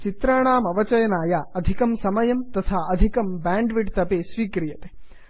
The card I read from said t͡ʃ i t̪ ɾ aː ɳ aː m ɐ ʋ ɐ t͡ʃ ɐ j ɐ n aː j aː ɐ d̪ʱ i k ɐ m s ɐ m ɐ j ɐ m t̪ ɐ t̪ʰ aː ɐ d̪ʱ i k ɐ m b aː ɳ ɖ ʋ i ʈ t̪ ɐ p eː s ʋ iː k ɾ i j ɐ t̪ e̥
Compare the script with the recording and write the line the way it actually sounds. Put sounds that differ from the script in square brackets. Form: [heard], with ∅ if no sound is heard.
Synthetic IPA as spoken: t͡ʃ i t̪ ɾ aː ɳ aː m ɐ ʋ ɐ t͡ʃ ɐ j ɐ n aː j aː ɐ d̪ʱ i k ɐ m s ɐ m ɐ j ɐ m t̪ ɐ t̪ʰ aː ɐ d̪ʱ i k ɐ m b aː ɳ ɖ ʋ i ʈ t̪ ɐ p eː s ʋ iː k ɾ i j ɐ t̪ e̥